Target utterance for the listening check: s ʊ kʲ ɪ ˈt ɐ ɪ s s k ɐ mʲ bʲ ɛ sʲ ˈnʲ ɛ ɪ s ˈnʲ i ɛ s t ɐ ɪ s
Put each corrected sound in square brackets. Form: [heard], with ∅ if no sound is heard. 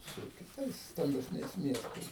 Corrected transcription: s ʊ kʲ ɪ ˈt ɐ ɪ s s [t] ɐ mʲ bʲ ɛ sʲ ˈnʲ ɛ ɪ s [ˈmʲ] i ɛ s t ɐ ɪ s